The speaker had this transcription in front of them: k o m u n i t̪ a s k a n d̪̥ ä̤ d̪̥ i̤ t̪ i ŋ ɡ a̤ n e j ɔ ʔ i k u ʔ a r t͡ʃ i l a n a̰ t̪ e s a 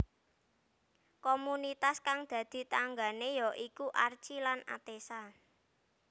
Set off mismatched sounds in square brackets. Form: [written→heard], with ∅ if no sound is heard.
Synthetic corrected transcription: k o m u n i t̪ a s k a [n→ŋ] d̪̥ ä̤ d̪̥ i̤ t̪ [i→a] ŋ ɡ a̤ n e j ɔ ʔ i k u ʔ a r t͡ʃ i l a n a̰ t̪ e s a